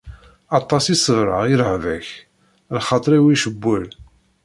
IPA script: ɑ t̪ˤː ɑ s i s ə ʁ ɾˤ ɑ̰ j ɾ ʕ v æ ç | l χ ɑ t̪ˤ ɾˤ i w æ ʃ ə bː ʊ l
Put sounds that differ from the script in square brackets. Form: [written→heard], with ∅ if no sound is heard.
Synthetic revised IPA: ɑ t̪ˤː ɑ s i s ə [ʁ→v] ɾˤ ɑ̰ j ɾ ʕ v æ ç | l χ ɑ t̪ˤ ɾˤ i w [æ→i] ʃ ə bː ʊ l

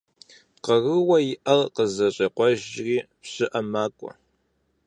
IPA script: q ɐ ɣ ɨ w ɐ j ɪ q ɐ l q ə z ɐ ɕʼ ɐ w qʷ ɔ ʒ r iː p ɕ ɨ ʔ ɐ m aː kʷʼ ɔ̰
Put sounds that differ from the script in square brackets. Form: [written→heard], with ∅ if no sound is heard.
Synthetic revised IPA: q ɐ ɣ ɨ w ɐ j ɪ [q→ʔ] ɐ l q ə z ɐ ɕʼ ɐ [w→∅] qʷ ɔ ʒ r iː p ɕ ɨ ʔ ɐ m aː kʷʼ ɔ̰

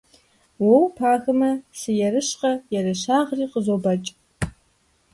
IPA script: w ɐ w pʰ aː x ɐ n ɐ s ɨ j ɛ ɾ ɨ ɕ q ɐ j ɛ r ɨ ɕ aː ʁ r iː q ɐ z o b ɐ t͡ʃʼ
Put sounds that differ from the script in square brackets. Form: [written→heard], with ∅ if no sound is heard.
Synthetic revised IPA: w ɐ w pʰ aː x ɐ [n→m] ɐ s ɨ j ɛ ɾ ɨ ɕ q ɐ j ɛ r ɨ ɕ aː ʁ r iː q [ɐ→ə] z o b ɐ t͡ʃʼ

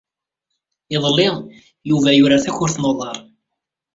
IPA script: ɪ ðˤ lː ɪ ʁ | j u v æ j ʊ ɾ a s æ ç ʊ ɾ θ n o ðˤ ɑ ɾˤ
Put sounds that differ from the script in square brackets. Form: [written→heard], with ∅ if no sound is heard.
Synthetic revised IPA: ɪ ðˤ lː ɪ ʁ | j u v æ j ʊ ɾ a [s→θ] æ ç ʊ ɾ θ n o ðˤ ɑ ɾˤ

